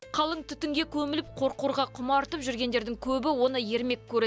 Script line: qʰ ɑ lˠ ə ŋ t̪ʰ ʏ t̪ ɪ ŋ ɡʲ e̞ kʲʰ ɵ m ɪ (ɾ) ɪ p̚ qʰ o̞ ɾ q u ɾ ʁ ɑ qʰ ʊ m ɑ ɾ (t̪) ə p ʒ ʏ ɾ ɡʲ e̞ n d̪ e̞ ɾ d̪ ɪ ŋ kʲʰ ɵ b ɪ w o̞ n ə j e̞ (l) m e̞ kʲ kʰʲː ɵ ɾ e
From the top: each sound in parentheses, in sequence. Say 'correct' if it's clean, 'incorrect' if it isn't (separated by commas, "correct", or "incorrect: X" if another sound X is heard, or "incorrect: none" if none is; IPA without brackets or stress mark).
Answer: incorrect: l, correct, incorrect: ɾ